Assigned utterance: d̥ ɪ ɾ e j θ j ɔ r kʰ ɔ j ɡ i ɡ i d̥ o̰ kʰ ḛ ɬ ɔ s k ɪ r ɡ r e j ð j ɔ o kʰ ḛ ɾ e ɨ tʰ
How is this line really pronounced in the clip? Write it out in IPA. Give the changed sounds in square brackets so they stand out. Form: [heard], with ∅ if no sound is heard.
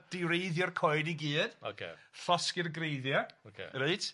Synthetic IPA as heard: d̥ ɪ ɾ e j [ð] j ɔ r kʰ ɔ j [d] i ɡ [iː] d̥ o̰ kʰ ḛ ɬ ɔ s k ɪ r ɡ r e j ð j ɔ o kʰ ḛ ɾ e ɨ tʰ

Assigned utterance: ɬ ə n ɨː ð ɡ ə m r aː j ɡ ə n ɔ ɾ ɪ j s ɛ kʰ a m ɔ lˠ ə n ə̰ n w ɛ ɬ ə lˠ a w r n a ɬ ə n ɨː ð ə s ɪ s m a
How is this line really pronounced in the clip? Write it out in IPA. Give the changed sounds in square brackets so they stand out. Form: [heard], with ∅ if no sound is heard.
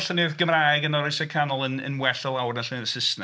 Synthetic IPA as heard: ɬ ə n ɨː ð ɡ ə m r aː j ɡ ə n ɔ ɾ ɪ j s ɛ kʰ a [n] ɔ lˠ ə n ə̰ n w ɛ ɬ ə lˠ a w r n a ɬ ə n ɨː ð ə s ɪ s [n] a

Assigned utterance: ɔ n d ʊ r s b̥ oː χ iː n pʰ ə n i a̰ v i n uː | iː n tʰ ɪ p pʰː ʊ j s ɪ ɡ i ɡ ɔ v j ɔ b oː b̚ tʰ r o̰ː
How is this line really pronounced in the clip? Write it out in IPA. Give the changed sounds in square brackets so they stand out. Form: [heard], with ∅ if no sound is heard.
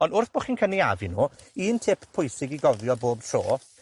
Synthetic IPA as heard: ɔ n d ʊ r [θ] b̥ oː χ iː n [kʰ] ə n i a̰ v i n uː | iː n tʰ ɪ p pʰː ʊ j s ɪ ɡ i ɡ ɔ v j ɔ b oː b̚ tʰ r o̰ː

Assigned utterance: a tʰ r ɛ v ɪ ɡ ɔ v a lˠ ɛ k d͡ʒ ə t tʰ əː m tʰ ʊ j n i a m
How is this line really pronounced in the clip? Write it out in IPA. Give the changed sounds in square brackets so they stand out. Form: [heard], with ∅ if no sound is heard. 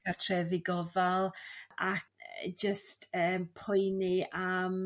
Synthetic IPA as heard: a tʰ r ɛ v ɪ ɡ ɔ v a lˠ [a] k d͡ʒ ə [s] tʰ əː m [pʰ] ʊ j n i a m

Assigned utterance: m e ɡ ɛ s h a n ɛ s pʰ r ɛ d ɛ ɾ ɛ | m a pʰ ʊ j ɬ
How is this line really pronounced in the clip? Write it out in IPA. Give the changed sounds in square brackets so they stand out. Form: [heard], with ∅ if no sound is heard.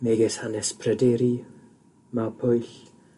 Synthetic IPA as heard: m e ɡ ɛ s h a n ɛ s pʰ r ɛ d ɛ ɾ [i] | m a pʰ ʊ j ɬ

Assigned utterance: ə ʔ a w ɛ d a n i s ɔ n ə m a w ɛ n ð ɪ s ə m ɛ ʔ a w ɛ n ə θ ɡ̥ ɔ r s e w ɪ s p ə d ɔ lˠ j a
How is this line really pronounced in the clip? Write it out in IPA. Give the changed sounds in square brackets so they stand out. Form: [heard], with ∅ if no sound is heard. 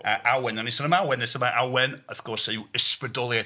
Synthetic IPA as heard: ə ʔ a w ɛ [n] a n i s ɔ n ə m a w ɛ n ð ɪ s ə m [a] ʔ a w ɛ n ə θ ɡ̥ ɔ r s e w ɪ s p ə d ɔ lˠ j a

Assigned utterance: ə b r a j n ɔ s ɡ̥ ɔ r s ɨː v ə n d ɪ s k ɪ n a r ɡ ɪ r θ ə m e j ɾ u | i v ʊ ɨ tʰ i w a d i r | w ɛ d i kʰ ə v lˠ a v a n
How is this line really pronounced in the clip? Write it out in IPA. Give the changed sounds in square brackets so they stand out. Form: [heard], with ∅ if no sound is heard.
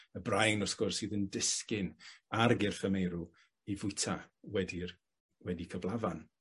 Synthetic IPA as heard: ə b r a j n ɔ s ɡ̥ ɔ r s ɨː [ð] ə n d ɪ s k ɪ n a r ɡ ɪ r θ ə m e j ɾ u | i v ʊ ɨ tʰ [a] w [ɛ] d i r | w ɛ d i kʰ ə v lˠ a v a n

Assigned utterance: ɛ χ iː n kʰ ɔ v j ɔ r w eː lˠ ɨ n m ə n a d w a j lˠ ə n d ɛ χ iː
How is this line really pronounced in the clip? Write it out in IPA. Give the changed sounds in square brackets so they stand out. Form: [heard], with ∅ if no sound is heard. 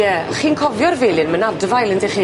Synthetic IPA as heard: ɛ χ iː n kʰ ɔ v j ɔ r [v] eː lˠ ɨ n m ə n a d [v] a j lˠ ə n d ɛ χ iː

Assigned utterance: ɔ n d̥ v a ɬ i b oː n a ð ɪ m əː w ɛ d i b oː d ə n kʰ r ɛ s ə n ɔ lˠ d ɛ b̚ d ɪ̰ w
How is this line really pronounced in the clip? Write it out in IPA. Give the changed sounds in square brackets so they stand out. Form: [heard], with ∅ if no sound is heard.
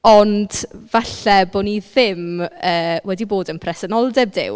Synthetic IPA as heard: ɔ n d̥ v a ɬ [ɛ] b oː n [i] ð ɪ m əː w ɛ d i b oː d ə n [pʰ] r ɛ s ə n ɔ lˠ d ɛ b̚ d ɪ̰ w

